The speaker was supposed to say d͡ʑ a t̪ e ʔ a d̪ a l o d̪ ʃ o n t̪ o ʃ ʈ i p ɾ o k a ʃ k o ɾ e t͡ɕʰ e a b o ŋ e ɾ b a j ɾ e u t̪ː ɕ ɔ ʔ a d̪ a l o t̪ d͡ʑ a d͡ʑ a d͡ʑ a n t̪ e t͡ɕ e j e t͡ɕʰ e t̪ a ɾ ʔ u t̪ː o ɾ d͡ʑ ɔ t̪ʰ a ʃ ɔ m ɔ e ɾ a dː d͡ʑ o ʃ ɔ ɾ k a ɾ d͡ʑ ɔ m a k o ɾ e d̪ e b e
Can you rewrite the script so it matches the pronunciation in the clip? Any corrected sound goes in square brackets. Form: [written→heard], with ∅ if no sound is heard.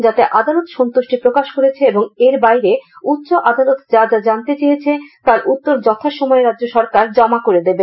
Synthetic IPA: d͡ʑ a t̪ e ʔ a d̪ a l o [d̪→t̪] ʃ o n t̪ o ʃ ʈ i p ɾ o k a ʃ k o ɾ e t͡ɕʰ e [a→e] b o ŋ e ɾ b a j ɾ e u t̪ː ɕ [ɔ→o] ʔ a d̪ a l o t̪ d͡ʑ a d͡ʑ a d͡ʑ a n t̪ e t͡ɕ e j e t͡ɕʰ e t̪ a ɾ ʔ u t̪ː o ɾ d͡ʑ ɔ t̪ʰ a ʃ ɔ m ɔ e ɾ a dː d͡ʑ o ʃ ɔ ɾ k a ɾ d͡ʑ ɔ m a k o ɾ e d̪ e b e

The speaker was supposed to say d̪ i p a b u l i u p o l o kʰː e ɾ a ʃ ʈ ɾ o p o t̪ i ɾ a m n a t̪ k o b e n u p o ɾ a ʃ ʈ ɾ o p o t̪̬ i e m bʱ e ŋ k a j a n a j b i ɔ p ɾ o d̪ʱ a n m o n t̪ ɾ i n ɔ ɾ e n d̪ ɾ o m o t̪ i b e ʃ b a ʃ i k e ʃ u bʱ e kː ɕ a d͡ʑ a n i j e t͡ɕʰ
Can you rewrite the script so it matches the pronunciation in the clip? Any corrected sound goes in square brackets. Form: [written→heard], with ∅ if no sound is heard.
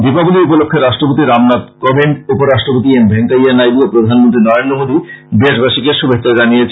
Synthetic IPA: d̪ i p a b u l i u p o l o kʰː e ɾ a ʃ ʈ ɾ o p o t̪ i ɾ a m n a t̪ k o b e n u p o ɾ a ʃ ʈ ɾ o p o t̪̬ i e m bʱ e ŋ k a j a n a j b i [ɔ→o] p ɾ o d̪ʱ a n m o n t̪ ɾ i n ɔ ɾ e n d̪ ɾ o m o [t̪→d̪] i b e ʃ b a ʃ i k e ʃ u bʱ e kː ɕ a d͡ʑ a n i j e t͡ɕʰ

